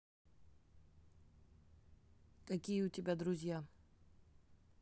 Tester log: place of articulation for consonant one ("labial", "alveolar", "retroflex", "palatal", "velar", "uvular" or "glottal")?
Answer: velar